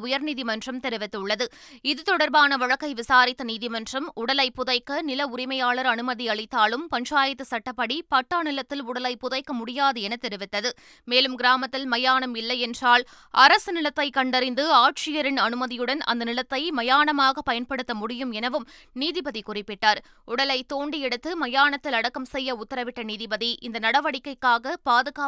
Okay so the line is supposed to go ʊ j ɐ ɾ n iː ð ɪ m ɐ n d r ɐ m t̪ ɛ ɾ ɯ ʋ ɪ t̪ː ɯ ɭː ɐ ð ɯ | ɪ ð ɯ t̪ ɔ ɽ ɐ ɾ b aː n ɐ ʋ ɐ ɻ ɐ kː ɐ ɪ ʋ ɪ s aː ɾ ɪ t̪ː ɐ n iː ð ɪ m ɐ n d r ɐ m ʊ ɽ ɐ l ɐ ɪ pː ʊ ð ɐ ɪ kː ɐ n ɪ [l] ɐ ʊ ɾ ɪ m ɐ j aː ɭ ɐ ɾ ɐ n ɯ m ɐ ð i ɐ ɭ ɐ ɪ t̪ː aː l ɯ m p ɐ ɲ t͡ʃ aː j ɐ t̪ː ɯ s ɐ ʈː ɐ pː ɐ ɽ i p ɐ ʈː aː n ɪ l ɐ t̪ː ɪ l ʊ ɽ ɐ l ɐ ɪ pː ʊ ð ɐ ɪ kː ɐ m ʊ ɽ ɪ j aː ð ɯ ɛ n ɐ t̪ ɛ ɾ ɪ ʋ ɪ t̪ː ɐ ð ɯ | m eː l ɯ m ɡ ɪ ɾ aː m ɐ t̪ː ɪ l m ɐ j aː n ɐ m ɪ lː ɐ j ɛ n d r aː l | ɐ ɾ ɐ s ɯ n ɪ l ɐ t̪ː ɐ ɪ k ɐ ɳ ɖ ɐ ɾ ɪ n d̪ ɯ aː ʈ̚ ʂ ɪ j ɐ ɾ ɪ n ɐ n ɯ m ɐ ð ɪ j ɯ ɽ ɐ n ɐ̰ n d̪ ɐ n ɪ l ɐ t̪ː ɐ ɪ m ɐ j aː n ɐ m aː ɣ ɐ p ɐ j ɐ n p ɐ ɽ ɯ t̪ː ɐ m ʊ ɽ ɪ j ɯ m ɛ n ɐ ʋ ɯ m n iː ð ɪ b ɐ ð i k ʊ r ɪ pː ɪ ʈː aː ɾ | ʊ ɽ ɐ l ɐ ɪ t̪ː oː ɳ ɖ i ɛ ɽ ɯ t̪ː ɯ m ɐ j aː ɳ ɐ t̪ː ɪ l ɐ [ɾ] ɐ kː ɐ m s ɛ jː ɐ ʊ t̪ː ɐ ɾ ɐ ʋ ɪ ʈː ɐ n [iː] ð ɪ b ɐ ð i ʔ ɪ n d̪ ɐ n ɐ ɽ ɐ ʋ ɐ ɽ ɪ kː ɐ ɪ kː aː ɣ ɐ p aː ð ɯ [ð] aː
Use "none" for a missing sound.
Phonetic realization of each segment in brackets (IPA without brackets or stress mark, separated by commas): l, ɽ, iː, ɣ